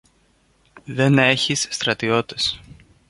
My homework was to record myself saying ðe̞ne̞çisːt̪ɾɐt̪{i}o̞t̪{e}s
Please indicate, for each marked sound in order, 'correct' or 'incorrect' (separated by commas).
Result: correct, correct